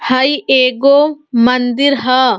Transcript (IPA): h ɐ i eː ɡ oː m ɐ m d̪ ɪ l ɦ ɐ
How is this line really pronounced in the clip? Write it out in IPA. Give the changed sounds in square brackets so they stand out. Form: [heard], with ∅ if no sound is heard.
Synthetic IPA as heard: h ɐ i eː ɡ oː m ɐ [n] d̪ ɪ [ɾ] ɦ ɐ